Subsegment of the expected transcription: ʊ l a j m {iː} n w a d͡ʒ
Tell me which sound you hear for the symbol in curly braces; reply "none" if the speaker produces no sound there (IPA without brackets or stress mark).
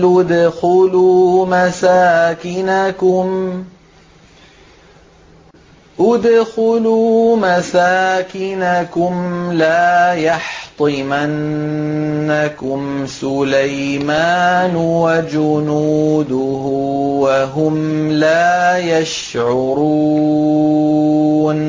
aː